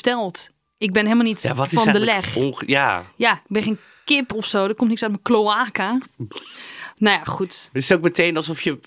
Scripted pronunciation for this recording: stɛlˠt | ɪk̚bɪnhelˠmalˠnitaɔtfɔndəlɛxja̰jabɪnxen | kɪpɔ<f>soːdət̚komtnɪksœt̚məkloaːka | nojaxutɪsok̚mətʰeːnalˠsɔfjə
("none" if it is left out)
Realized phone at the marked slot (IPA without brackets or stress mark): f